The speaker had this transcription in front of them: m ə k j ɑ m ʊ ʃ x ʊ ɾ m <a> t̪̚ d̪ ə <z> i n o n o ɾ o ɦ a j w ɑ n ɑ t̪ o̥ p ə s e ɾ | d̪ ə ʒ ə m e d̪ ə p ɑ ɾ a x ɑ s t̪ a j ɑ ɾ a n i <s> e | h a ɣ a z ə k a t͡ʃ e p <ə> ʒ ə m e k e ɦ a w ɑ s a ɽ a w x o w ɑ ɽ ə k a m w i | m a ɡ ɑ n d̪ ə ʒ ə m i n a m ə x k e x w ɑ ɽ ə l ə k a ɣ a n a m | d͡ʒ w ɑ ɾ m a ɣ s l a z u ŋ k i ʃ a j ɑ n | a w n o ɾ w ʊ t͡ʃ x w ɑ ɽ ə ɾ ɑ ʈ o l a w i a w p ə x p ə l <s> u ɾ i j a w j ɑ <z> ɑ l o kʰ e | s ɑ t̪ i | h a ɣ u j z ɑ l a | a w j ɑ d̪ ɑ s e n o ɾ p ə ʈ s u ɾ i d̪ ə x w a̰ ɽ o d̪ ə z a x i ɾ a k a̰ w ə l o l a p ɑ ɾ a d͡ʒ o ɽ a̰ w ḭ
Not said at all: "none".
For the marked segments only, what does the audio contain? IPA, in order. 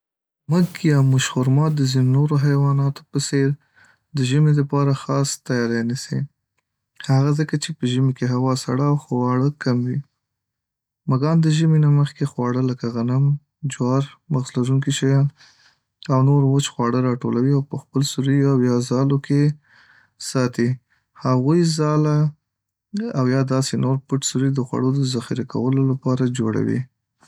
ɑ, z, s, ə, s, z

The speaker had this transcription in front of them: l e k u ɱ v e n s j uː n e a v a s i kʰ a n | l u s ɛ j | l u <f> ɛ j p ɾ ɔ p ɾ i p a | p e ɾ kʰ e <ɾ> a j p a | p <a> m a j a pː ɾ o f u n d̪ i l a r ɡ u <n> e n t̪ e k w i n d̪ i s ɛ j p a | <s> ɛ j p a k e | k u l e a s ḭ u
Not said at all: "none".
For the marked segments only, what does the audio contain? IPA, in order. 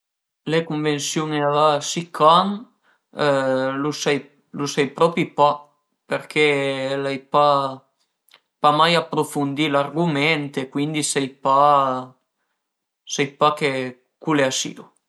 s, l, a, m, s

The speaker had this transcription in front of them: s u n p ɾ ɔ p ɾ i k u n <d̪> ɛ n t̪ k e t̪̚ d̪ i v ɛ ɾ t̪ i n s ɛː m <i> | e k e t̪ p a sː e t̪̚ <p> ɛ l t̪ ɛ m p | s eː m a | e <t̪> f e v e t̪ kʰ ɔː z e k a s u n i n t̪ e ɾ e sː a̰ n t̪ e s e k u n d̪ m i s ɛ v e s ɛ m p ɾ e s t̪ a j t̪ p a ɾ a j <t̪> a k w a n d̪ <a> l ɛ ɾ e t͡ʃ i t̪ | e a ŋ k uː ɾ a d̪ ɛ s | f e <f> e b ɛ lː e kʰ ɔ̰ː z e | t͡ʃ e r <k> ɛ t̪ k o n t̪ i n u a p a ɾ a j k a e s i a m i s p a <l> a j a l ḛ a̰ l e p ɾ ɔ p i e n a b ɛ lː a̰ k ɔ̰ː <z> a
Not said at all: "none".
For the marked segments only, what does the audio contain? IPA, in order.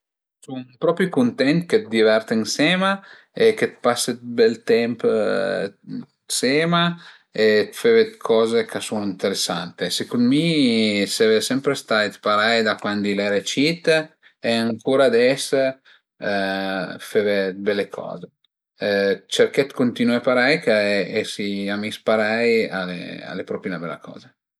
t̪, a, b, t̪, d̪, i, v, k, ɾ, z

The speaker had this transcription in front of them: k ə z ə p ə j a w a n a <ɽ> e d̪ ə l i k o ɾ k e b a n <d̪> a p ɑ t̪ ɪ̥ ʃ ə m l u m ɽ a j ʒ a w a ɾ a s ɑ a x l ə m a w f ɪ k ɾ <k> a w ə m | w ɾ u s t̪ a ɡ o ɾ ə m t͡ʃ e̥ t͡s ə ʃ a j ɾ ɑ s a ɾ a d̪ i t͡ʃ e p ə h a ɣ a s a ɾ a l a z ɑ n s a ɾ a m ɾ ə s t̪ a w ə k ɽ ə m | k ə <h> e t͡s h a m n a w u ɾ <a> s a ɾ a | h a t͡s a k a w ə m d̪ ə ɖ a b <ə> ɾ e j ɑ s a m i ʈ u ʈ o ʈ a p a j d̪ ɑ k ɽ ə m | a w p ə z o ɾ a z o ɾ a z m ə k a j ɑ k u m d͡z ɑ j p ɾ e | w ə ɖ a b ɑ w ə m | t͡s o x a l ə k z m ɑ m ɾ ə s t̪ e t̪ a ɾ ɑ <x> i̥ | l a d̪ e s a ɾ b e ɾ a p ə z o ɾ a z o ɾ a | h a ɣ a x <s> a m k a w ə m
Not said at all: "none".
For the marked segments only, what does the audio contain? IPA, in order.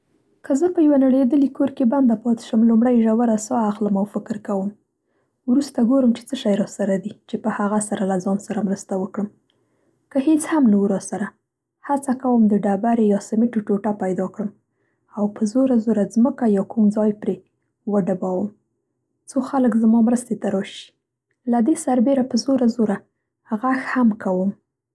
ɽ, d̪, k, h, ɑ, a, ʃ, h

